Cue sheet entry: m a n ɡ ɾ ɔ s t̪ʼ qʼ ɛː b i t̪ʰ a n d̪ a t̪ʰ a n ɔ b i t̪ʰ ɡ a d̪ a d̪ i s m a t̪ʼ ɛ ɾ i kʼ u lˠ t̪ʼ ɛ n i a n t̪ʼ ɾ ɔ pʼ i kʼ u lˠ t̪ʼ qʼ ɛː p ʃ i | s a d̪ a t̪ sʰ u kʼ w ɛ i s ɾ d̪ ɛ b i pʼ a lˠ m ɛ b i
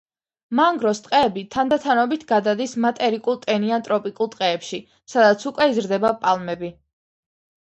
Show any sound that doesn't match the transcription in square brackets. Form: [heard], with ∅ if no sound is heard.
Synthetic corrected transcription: m a [ŋ] ɡ ɾ ɔ s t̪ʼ qʼ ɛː b i t̪ʰ a n d̪ a t̪ʰ a n ɔ b i t̪ʰ ɡ a d̪ a d̪ i s m a t̪ʼ ɛ ɾ i kʼ u lˠ t̪ʼ ɛ n i a n t̪ʼ ɾ ɔ pʼ i kʼ u lˠ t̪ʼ qʼ ɛː p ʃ i | s a d̪ a t̪ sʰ u kʼ w ɛ i [z] ɾ d̪ ɛ b [a] pʼ a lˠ m ɛ b i